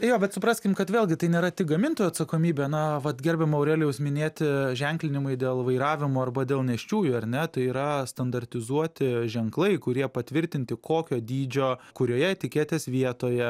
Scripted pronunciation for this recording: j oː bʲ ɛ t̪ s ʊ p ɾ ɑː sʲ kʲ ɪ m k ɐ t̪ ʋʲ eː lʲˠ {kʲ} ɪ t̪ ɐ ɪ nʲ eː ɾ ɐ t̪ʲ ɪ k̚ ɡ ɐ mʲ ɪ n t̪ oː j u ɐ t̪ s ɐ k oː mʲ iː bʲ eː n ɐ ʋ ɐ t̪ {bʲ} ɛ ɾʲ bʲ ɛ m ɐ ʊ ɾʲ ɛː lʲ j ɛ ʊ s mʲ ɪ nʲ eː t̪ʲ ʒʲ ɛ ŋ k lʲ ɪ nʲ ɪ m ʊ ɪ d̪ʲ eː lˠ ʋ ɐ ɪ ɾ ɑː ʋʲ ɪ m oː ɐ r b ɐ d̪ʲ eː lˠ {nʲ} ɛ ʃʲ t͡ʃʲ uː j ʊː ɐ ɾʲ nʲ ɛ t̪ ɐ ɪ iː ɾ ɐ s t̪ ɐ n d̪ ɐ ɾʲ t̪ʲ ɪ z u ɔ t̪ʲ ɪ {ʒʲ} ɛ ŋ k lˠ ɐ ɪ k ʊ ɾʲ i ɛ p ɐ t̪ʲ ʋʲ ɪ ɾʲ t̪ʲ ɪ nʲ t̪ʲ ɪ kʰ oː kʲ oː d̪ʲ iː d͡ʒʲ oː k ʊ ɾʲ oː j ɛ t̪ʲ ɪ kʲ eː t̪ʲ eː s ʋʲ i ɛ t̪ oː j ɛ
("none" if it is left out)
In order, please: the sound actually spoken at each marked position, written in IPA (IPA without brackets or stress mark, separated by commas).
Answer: ɡʲ, ɡʲ, nʲ, ʒʲ